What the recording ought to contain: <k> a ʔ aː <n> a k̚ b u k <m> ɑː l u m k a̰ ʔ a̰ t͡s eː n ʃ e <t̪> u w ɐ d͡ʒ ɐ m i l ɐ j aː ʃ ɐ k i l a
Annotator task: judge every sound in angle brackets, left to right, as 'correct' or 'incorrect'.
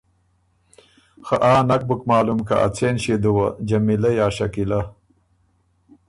incorrect: x, correct, correct, incorrect: d̪

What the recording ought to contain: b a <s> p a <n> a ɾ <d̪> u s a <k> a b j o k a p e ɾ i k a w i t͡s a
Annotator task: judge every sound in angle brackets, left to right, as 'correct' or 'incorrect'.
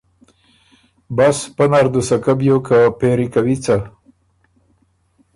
correct, correct, correct, correct

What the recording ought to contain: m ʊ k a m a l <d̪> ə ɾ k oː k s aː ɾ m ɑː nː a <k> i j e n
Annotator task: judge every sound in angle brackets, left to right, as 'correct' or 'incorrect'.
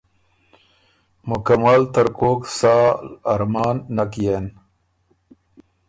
incorrect: t̪, correct

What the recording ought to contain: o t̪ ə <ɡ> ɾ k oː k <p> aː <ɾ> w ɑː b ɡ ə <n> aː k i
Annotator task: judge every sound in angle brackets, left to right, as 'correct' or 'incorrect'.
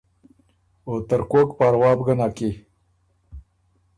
incorrect: none, correct, correct, correct

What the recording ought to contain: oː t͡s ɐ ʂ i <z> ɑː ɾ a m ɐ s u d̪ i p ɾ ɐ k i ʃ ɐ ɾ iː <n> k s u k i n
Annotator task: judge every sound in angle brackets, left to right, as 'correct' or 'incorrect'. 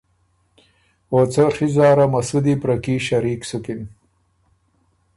correct, incorrect: none

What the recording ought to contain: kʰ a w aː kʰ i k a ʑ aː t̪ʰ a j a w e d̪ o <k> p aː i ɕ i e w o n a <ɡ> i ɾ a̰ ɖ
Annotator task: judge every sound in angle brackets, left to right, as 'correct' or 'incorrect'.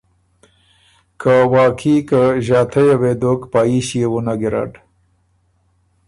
correct, correct

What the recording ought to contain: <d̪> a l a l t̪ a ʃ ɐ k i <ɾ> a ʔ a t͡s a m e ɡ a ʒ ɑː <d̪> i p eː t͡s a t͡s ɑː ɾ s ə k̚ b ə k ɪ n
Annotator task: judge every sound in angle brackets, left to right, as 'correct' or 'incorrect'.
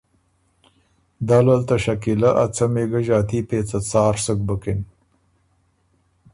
correct, incorrect: l, incorrect: t̪

